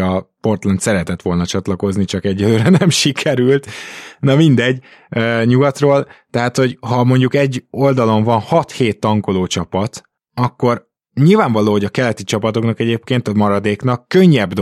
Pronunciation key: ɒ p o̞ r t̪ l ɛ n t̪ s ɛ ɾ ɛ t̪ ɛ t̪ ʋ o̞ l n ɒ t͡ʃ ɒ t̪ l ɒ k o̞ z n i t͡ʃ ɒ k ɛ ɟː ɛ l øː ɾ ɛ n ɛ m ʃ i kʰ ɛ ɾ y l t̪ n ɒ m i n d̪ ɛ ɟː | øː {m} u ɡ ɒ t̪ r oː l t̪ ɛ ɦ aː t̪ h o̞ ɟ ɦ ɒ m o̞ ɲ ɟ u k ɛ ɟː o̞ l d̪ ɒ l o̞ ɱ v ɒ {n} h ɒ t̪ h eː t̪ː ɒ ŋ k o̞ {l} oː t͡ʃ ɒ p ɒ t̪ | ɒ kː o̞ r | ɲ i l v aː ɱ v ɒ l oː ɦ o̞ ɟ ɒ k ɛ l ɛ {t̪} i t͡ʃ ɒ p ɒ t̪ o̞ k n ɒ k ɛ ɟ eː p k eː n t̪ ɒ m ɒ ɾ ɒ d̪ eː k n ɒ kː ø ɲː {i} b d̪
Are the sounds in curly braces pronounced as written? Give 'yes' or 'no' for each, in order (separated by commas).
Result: no, yes, yes, yes, no